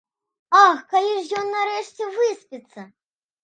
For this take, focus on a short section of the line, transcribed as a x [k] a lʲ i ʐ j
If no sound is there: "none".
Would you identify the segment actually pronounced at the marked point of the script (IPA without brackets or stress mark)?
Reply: k